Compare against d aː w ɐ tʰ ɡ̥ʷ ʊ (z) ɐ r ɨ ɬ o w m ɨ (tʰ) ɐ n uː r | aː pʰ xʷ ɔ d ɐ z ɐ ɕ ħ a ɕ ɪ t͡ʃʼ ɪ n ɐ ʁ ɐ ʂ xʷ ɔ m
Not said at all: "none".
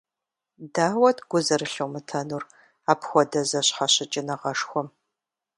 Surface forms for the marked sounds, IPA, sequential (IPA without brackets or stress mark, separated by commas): z, tʰ